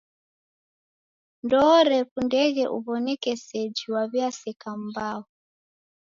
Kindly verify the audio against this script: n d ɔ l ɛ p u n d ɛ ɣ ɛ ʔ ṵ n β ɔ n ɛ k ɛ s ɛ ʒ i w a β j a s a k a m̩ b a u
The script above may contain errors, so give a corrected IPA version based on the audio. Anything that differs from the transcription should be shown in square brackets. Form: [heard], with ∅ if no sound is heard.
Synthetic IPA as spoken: n d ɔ [ɾ] ɛ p u n d ɛ ɣ ɛ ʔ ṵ [∅] β ɔ n ɛ k ɛ s ɛ [d͡ʒ] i w a β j a s [ɛ] k a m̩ b a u